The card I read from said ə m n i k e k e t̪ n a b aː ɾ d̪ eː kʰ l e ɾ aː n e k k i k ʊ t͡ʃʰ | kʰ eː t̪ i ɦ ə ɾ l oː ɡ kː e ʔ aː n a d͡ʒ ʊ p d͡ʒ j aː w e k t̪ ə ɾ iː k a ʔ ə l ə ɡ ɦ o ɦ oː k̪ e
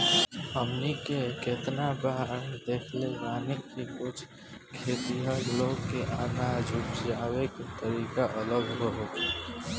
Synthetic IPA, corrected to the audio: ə m n i k e k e t̪ n a b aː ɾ d̪ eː kʰ l e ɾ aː n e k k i k ʊ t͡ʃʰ | kʰ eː t̪ i ɦ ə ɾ l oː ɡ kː e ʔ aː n a d͡ʒ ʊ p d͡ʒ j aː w e k t̪ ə ɾ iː k a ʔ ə l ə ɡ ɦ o ɦ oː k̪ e